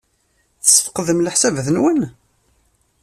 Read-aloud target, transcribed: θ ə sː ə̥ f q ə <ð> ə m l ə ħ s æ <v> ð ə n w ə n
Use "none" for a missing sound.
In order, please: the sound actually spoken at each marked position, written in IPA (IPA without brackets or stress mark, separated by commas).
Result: ð, v